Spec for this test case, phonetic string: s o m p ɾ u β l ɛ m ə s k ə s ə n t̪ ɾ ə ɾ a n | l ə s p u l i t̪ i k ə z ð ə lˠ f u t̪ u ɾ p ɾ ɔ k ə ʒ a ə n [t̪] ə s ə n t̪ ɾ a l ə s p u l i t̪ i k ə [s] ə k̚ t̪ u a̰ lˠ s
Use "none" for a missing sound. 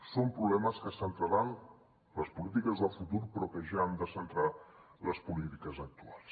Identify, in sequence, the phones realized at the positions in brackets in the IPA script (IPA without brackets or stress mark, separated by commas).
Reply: d̪, z